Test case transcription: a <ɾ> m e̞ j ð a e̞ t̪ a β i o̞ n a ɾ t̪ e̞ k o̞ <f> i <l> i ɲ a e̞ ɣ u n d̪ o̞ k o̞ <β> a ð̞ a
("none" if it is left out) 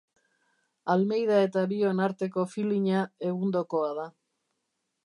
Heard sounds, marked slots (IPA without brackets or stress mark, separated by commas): l, f, l, none